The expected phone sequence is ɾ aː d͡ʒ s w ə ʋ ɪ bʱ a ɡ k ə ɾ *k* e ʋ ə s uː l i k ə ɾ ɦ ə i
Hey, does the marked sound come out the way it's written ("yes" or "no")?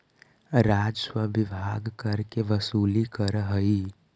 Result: yes